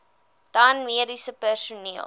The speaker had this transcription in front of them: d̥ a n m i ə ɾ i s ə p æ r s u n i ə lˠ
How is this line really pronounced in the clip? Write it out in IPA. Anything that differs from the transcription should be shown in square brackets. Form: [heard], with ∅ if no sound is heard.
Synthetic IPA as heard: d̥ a n m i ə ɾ i s ə p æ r s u n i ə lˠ

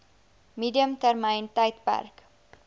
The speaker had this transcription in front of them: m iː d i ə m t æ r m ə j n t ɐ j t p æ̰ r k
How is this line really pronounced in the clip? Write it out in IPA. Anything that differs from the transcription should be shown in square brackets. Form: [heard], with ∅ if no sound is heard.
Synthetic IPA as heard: m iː d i ə m t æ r m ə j n t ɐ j t p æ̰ r k

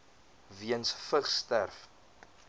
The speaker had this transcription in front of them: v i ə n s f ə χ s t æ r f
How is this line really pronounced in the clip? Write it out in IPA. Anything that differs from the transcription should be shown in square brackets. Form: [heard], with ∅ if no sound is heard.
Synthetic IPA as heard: v i ə n s f ə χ s t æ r f

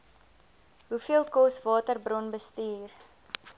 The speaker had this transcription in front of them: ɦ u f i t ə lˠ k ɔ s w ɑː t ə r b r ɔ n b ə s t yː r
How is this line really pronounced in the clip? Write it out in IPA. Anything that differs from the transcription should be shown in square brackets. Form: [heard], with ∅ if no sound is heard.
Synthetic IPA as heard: ɦ u f i [∅] ə lˠ k ɔ s [v] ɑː t ə r b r ɔ n b ə s t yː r

